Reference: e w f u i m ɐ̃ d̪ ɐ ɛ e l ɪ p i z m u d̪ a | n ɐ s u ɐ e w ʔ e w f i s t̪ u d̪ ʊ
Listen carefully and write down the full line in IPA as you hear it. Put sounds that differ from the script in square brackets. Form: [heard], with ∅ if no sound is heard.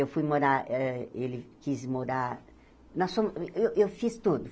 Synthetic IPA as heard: e w f u [j] m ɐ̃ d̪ [a] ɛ e l ɪ [k] i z m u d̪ a | n ɐ s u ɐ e w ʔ e w f i s t̪ u d̪ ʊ